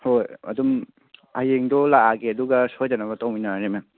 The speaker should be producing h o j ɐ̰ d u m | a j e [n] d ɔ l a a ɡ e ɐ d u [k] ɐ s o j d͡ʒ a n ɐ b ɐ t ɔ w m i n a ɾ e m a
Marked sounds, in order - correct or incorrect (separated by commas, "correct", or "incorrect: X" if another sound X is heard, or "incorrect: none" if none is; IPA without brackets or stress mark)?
incorrect: ŋ, incorrect: ɡ